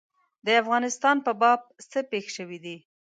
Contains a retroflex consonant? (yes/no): no